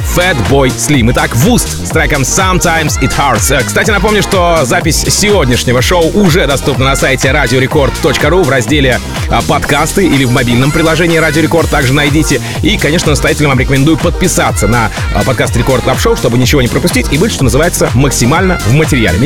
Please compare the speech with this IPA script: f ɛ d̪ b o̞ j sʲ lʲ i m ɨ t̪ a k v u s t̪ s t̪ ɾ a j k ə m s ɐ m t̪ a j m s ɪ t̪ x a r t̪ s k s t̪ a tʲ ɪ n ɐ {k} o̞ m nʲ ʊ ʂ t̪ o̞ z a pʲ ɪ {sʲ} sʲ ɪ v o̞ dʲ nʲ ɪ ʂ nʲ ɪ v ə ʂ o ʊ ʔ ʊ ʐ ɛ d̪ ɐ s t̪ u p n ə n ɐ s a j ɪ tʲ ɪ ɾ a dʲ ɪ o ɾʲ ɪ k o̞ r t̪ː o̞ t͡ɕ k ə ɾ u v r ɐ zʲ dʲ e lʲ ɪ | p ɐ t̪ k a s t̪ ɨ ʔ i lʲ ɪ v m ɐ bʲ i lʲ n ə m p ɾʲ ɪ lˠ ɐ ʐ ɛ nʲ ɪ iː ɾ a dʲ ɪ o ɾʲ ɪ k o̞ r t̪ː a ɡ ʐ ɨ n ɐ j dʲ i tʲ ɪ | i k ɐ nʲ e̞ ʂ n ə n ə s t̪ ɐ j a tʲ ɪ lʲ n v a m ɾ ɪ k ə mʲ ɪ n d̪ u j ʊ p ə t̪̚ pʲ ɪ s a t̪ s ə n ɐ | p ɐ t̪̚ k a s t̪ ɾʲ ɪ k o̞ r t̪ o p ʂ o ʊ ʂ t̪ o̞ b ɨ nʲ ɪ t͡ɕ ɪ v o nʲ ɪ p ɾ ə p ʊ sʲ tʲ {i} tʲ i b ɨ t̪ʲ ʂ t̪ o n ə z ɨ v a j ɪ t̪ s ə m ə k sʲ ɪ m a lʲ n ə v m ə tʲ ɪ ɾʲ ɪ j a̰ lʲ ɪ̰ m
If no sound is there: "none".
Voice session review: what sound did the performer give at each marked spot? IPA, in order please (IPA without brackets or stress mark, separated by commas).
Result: p, sʲ, i